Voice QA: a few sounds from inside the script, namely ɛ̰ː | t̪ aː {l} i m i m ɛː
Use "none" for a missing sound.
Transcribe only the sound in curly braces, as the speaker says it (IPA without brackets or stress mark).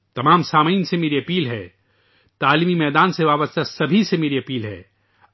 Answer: l